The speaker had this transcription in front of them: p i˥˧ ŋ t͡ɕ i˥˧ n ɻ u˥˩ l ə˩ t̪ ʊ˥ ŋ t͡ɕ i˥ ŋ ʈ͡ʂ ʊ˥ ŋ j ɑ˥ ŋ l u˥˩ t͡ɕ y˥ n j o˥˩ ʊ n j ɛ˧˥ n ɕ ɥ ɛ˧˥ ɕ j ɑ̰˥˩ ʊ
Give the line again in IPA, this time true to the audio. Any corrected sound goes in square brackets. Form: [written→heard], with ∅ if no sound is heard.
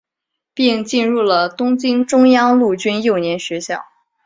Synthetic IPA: p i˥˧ ŋ t͡ɕ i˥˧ n ɻ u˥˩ l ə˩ t̪ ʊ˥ ŋ t͡ɕ i˥ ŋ ʈ͡ʂ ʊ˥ ŋ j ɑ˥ ŋ l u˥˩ t͡ɕ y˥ n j o˥˩ ʊ n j ɛ˧˥ n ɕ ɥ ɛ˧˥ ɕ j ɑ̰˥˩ ʊ